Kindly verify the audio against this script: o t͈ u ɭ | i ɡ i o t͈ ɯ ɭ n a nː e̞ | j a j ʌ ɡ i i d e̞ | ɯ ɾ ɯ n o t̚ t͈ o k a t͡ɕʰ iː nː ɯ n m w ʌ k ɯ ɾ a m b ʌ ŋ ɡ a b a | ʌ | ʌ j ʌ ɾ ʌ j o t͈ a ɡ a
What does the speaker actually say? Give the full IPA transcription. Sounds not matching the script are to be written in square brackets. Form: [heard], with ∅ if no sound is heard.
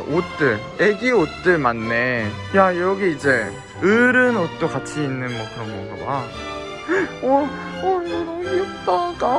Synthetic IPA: o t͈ [ɯ] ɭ | [e] ɡ i o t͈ ɯ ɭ [m] a nː e̞ | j a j ʌ ɡ i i [d͡ʑ] e̞ | ɯ ɾ ɯ n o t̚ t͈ o k a t͡ɕʰ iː nː ɯ n m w ʌ k ɯ ɾ [ʌ] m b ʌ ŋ ɡ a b a | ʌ | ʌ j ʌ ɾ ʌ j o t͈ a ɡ a